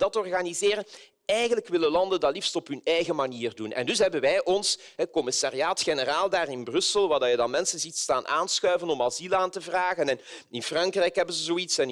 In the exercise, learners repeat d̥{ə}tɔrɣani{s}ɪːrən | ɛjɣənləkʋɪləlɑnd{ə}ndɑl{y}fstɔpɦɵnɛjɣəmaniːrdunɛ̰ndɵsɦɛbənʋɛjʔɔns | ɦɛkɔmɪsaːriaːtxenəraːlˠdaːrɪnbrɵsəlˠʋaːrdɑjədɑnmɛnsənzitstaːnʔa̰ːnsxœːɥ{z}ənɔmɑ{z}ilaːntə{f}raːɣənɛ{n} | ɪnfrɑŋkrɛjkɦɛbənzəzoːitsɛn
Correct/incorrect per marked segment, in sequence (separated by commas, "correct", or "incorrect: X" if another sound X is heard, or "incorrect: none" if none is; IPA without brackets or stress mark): incorrect: ɑ, incorrect: z, correct, incorrect: i, incorrect: v, correct, incorrect: v, correct